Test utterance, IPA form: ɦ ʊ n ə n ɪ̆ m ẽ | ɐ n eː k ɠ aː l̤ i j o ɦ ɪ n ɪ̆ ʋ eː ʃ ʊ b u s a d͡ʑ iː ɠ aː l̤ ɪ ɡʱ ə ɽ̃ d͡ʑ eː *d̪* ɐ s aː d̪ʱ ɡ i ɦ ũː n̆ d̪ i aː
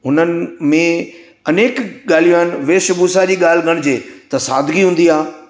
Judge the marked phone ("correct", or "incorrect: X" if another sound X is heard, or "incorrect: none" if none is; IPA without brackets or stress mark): incorrect: t̪